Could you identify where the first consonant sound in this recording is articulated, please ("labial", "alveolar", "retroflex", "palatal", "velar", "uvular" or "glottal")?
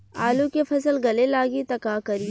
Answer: alveolar